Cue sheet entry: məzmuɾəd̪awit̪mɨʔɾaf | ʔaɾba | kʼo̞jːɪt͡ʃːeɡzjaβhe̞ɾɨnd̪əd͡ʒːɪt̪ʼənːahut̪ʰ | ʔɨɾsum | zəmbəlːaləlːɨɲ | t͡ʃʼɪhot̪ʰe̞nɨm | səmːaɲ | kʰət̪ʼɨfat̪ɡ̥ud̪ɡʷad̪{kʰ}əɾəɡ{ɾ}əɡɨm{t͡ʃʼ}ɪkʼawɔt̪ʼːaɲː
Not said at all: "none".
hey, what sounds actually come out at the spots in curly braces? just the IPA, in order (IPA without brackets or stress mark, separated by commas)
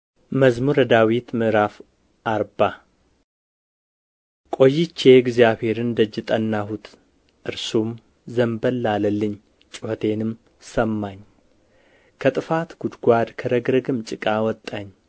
kʰ, ɾ, t͡ʃʼ